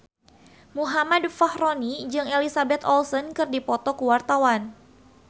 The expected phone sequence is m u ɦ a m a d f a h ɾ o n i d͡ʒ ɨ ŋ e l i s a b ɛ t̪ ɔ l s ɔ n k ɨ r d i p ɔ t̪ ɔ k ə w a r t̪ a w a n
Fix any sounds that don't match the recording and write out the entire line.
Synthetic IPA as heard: m u ɦ a m a d f a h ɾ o n i d͡ʒ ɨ ŋ e l i s a b ɛ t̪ ɔ l s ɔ n k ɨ r d i p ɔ t̪ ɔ k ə w a r t̪ a w a n